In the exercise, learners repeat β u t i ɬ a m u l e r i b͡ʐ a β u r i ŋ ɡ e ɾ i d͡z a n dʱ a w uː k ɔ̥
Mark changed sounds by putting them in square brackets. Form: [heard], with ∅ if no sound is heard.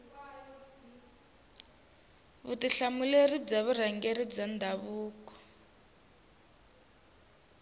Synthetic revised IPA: β u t i ɬ a m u l e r i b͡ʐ a β u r [a] ŋ ɡ e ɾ i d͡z a n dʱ a [β] uː k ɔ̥